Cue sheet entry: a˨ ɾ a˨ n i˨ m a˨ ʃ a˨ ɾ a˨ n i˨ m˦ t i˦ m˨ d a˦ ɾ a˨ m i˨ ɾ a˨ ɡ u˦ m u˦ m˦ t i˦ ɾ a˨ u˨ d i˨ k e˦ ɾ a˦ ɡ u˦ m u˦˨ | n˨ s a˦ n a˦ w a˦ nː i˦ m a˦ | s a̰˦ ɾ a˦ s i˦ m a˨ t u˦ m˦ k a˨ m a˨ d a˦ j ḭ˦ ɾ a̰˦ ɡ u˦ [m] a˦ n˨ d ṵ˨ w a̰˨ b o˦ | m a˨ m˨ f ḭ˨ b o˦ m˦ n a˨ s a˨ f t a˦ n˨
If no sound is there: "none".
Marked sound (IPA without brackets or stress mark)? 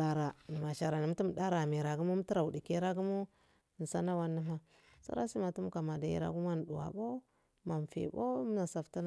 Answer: m